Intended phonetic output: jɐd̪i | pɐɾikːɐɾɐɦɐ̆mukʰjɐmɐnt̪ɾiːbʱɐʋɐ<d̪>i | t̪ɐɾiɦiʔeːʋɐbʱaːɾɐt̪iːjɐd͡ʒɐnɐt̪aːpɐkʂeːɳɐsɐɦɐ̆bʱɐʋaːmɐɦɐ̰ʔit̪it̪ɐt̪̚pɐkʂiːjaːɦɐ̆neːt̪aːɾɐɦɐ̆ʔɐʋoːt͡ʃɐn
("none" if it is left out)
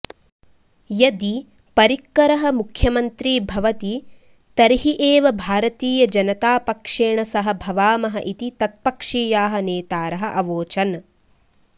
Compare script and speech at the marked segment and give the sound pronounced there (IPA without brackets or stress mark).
t̪